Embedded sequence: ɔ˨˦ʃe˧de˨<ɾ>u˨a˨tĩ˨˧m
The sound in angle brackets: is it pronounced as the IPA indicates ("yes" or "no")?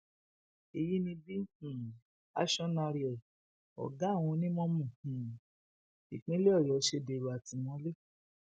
yes